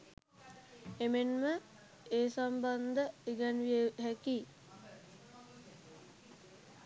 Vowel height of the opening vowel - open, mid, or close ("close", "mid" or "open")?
mid